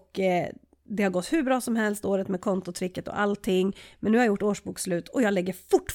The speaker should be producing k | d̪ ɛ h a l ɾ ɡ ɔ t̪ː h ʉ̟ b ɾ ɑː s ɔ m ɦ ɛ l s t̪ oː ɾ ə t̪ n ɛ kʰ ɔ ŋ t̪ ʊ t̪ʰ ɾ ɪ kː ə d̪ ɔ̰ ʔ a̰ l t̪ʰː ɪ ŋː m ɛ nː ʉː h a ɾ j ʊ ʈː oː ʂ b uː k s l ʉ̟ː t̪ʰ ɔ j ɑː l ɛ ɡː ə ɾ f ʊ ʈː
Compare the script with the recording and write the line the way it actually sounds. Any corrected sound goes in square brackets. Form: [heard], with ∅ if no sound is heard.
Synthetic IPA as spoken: k | d̪ ɛ h a [∅] ɾ ɡ ɔ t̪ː h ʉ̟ b ɾ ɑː s ɔ m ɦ ɛ l s t̪ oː ɾ ə t̪ [m] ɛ kʰ ɔ [n] t̪ ʊ t̪ʰ ɾ ɪ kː ə [t̪] ɔ̰ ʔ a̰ l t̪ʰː ɪ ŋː m ɛ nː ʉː h a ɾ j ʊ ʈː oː ʂ b uː k s l ʉ̟ː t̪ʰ ɔ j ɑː l ɛ ɡː ə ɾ f ʊ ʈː